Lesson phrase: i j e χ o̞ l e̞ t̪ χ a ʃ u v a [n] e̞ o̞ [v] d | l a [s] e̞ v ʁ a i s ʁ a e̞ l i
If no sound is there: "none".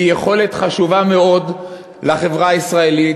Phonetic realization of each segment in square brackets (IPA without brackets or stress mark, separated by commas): m, none, χ